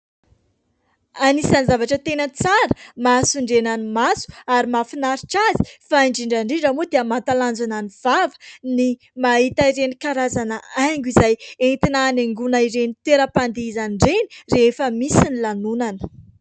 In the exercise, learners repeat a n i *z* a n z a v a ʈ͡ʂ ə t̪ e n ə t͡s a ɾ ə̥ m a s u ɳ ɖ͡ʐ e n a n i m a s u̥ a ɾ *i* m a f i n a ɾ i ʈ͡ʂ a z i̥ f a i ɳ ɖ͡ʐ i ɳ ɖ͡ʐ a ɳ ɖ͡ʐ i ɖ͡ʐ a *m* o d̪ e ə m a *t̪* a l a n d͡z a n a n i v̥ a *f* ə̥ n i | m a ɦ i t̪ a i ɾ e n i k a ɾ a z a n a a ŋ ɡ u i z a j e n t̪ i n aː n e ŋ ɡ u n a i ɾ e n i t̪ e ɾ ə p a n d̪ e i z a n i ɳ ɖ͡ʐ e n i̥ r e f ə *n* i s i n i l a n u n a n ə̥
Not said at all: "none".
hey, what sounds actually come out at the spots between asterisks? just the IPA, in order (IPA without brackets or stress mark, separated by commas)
s, i, m, t̪, v, m